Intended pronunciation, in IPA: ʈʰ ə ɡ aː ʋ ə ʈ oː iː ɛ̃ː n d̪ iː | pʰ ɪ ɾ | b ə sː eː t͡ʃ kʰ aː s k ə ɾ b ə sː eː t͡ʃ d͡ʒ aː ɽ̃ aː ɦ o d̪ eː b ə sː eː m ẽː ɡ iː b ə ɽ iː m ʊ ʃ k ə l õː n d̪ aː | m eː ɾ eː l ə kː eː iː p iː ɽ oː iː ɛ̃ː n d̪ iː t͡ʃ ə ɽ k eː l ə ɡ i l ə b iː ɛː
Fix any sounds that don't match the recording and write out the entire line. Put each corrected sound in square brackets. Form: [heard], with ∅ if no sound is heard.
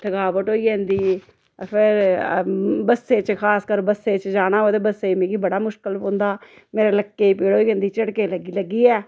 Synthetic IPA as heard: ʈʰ ə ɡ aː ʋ ə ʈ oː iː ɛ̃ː n d̪ iː | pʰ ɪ ɾ | b ə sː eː t͡ʃ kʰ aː s k ə ɾ b ə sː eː t͡ʃ d͡ʒ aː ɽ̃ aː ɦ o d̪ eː b ə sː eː m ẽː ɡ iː b ə ɽ [aː] m ʊ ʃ k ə l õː n d̪ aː | m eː ɾ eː l ə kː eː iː p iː ɽ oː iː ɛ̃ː n d̪ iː t͡ʃ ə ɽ k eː l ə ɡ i l ə [ɡ] iː ɛː